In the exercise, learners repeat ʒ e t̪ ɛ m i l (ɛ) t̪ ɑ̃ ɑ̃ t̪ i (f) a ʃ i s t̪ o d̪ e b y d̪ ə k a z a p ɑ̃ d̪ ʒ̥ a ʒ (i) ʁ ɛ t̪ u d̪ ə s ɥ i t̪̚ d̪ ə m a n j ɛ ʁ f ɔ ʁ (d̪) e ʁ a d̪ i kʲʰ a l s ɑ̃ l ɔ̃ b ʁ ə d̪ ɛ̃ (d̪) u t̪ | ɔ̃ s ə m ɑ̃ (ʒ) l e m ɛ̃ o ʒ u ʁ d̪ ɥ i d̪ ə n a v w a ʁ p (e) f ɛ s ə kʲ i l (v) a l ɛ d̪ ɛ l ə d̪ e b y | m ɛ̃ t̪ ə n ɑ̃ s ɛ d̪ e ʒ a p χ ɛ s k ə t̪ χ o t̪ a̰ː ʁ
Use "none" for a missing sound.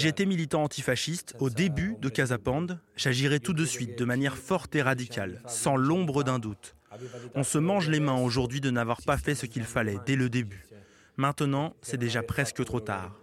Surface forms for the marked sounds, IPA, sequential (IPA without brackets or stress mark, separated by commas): i, f, i, t̪, d̪, ʒ, a, f